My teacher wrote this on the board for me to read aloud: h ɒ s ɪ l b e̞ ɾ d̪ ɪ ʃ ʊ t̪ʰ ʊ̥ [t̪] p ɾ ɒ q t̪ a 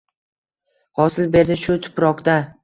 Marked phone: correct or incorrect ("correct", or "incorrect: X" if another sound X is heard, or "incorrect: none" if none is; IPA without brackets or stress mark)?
incorrect: none